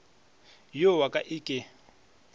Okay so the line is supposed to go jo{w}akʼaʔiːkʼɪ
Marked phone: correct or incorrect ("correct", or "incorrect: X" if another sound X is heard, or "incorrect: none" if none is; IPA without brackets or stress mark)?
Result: correct